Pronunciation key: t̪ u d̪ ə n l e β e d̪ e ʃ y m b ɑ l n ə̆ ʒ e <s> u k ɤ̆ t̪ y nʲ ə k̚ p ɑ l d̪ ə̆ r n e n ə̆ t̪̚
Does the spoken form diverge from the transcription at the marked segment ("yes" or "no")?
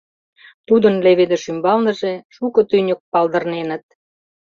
yes